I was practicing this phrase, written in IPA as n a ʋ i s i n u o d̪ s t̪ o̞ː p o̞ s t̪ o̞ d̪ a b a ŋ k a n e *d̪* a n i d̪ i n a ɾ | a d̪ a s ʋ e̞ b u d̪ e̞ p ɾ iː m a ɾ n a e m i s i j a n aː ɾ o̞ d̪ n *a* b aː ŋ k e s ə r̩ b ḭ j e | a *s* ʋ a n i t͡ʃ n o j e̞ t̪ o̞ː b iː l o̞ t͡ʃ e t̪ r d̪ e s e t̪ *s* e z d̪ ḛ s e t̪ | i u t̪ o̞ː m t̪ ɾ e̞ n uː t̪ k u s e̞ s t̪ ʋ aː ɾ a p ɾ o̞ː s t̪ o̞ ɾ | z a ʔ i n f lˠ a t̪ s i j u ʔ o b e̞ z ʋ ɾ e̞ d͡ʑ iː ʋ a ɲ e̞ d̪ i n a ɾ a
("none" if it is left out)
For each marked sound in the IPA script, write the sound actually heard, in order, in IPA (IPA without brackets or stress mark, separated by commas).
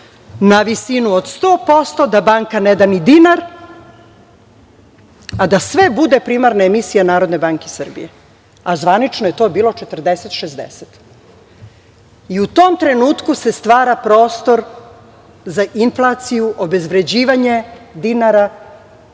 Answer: d̪, e, z, ʃ